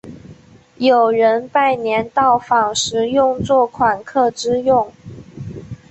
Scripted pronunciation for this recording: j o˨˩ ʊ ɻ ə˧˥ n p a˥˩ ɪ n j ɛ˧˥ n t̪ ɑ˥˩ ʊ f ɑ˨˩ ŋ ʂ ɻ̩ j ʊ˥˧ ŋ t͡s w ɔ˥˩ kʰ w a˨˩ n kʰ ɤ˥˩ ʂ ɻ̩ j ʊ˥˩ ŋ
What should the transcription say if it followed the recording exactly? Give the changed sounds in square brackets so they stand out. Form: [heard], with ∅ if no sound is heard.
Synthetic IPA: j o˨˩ ʊ ɻ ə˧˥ n p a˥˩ ɪ n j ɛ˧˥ n t̪ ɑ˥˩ ʊ f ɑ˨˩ ŋ ʂ ɻ̩ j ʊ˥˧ ŋ t͡s w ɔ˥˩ kʰ w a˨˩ n kʰ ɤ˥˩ [ʈ͡ʂ] ɻ̩ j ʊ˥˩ ŋ